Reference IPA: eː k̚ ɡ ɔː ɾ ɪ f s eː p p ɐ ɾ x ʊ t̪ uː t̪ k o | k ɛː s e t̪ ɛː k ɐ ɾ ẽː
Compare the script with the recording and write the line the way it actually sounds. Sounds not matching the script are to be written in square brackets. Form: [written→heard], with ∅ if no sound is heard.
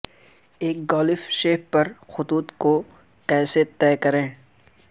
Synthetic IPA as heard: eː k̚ ɡ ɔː [ɾ→l] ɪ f [s→ʃ] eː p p ɐ ɾ x ʊ t̪ uː t̪ k o | k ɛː s e t̪ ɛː k ɐ ɾ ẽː